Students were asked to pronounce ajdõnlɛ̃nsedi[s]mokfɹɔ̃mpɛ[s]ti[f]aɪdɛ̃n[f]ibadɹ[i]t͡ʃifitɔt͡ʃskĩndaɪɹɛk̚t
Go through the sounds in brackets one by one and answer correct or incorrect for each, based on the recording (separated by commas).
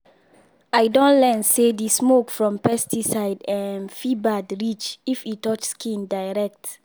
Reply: correct, correct, incorrect, correct, correct